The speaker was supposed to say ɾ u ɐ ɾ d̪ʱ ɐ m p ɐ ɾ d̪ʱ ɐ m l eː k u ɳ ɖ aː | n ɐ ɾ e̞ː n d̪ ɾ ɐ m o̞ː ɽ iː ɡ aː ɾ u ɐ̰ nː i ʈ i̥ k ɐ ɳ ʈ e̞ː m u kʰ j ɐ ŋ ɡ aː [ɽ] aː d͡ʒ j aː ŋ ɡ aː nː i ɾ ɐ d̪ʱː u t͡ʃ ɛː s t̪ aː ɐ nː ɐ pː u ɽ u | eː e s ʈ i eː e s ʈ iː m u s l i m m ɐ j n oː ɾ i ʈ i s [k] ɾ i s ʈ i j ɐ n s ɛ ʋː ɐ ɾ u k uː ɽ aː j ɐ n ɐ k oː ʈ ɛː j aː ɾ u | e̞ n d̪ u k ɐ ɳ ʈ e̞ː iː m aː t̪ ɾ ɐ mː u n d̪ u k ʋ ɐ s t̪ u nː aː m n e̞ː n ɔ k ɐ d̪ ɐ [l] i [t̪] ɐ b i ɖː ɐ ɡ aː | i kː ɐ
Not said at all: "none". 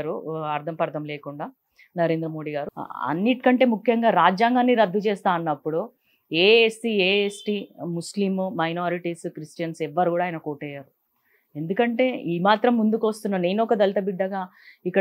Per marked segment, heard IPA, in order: ɾ, k, l, t̪

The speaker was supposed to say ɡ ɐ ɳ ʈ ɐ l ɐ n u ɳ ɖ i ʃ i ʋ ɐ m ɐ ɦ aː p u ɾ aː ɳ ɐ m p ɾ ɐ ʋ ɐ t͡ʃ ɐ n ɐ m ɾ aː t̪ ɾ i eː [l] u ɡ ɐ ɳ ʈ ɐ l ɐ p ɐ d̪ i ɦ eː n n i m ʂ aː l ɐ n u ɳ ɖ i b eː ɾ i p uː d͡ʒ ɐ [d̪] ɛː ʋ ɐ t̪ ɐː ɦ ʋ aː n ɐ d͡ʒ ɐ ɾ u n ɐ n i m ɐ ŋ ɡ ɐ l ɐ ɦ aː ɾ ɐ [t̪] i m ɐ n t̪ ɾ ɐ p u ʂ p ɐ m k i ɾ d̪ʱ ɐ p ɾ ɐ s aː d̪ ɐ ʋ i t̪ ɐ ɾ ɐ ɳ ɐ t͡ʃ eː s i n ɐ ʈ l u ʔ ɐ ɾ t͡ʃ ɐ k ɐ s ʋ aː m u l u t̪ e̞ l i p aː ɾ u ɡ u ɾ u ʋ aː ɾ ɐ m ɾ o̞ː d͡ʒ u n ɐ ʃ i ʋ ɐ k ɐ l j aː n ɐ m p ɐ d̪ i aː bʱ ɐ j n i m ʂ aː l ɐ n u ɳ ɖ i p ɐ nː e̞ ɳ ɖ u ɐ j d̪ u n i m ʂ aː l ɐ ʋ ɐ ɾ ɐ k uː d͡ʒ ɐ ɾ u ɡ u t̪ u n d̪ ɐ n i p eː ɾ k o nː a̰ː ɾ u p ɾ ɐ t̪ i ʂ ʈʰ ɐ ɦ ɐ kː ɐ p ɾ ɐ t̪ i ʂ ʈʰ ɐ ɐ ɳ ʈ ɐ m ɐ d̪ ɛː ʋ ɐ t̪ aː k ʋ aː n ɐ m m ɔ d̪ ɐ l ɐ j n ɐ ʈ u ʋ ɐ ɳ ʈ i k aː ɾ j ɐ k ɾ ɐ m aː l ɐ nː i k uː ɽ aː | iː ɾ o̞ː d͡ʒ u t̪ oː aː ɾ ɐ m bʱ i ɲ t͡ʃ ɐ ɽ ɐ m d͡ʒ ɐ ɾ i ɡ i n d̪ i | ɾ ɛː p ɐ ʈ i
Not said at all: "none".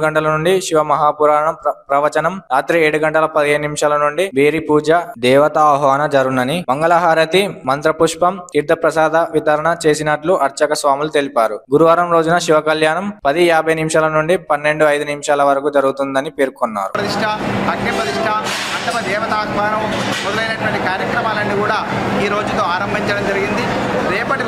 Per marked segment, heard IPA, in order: ɽ, d̪, t̪

